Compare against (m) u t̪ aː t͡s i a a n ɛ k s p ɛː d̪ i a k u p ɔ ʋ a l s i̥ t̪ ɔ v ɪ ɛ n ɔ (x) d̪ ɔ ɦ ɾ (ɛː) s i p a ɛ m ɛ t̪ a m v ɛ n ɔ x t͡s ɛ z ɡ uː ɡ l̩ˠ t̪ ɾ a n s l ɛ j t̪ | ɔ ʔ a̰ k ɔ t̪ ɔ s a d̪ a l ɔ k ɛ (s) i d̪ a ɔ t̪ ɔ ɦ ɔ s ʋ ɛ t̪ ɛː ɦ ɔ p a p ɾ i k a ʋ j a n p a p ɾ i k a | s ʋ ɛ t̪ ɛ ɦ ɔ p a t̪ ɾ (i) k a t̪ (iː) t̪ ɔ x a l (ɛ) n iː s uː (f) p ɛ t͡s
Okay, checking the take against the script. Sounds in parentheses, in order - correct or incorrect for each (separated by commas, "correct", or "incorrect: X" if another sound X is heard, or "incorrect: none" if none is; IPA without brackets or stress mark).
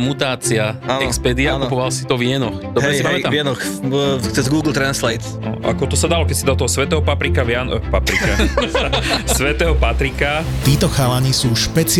correct, correct, incorrect: ɛ, correct, correct, correct, incorrect: a, incorrect: ʃ